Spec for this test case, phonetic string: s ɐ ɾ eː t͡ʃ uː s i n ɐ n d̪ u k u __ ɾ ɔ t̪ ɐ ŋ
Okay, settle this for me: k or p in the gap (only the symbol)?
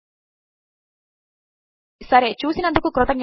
k